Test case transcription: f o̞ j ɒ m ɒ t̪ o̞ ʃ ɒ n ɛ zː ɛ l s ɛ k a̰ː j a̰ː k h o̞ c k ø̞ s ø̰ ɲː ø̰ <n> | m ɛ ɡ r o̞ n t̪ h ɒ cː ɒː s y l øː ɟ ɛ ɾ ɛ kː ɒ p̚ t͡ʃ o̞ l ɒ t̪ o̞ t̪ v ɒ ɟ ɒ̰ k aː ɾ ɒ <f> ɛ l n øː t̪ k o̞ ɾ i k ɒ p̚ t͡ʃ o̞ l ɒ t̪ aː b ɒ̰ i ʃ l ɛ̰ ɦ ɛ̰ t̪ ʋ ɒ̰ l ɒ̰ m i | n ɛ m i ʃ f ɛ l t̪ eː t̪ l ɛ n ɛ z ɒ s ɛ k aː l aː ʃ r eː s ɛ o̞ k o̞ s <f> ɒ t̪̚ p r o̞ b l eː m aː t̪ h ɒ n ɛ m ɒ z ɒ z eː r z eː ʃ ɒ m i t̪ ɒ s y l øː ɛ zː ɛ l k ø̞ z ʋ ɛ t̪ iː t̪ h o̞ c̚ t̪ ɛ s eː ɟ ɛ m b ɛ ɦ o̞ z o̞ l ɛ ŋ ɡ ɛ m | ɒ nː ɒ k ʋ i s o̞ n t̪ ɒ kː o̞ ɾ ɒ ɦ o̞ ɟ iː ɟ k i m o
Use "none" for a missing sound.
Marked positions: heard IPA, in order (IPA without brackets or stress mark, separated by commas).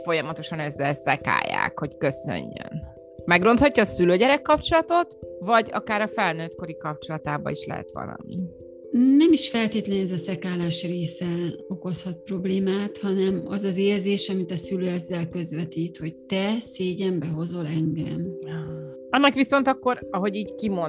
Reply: n, f, h